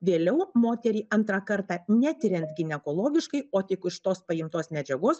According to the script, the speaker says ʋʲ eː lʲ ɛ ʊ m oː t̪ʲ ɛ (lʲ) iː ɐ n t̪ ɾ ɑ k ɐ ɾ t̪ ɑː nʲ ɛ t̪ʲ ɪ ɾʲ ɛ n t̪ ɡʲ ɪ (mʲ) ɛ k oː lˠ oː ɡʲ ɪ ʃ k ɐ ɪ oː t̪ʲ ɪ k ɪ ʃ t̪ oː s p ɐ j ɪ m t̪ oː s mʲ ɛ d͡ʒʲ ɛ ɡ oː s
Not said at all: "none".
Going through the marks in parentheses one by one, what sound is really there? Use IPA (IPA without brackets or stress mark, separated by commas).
ɾʲ, nʲ